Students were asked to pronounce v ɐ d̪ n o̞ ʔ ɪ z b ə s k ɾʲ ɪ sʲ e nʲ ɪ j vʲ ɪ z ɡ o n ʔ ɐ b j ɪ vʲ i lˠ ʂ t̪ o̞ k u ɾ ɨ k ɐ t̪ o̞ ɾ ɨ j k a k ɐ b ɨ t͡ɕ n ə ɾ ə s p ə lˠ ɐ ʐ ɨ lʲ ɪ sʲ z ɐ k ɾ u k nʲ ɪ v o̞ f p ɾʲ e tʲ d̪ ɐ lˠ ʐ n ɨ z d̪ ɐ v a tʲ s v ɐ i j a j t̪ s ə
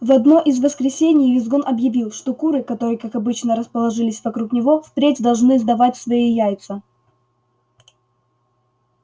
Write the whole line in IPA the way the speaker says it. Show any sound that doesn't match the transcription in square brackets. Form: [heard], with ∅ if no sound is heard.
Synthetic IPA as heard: v ɐ d̪ n o̞ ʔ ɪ z [v] ə s k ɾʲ ɪ sʲ e nʲ ɪ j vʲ ɪ z ɡ o n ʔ ɐ b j ɪ vʲ i lˠ ʂ t̪ o̞ k u ɾ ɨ k ɐ t̪ o̞ ɾ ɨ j k a k ɐ b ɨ t͡ɕ n ə ɾ ə s p ə lˠ ɐ ʐ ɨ lʲ ɪ sʲ [v] ɐ k ɾ u k nʲ ɪ v o̞ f p ɾʲ e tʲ d̪ ɐ lˠ ʐ n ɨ z d̪ ɐ v a tʲ s v ɐ i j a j t̪ s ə